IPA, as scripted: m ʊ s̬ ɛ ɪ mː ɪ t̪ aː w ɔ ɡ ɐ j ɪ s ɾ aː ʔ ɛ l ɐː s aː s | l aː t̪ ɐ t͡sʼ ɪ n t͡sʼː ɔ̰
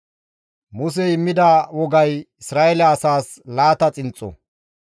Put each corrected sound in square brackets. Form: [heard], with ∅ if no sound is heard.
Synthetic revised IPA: m ʊ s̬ ɛ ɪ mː ɪ [d̪] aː w ɔ ɡ ɐ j ɪ s ɾ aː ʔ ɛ l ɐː s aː s | l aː t̪ ɐ t͡sʼ ɪ n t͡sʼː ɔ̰